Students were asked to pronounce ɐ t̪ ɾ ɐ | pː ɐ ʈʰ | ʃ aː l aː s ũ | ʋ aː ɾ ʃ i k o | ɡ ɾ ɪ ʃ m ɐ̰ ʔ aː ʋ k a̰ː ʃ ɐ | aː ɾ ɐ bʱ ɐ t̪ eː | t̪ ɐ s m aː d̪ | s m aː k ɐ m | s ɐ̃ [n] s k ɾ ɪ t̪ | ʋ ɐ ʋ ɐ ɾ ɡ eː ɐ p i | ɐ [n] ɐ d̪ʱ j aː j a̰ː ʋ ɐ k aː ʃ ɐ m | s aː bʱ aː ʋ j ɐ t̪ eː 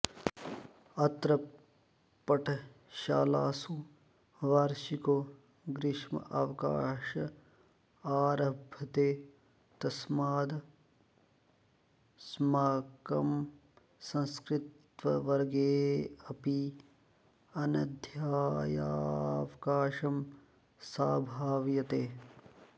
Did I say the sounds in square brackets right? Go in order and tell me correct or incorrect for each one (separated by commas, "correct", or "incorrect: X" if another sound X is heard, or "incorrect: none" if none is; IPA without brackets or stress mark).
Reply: correct, correct